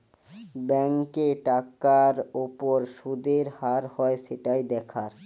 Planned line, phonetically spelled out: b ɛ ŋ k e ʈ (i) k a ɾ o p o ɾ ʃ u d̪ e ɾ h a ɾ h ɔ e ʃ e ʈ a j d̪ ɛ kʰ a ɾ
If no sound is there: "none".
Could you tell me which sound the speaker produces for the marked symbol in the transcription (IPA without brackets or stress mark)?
a